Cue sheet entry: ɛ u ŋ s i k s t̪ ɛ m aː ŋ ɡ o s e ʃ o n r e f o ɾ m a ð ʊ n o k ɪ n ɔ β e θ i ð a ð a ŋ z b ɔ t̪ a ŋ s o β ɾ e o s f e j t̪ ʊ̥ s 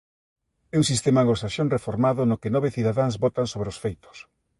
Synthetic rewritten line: ɛ u ŋ s i s t̪ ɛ m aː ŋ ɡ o s a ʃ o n r e f o ɾ m a ð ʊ n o k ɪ n ɔ β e θ i ð a ð a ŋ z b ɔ t̪ a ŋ s o β ɾ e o s f e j t̪ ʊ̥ s